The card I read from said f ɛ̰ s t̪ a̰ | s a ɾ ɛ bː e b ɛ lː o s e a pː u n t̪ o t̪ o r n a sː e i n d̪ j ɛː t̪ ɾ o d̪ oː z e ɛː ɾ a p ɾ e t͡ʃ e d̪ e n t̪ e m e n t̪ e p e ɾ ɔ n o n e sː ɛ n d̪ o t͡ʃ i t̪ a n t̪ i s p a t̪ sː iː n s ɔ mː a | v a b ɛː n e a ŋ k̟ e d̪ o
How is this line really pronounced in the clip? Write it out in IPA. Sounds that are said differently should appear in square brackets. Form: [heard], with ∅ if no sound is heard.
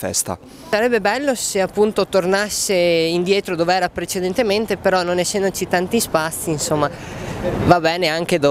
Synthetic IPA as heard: f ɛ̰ s t̪ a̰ | s a ɾ ɛ bː e b ɛ lː o s e a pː u n t̪ o t̪ o r n a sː e i n d̪ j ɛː t̪ ɾ o d̪ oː [v] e ɛː ɾ a p ɾ e t͡ʃ e d̪ e n t̪ e m e n t̪ e p e ɾ ɔ n o n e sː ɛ n d̪ o t͡ʃ i t̪ a n t̪ i s p a t̪ sː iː n s [o] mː a | v a b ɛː n e a ŋ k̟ e d̪ o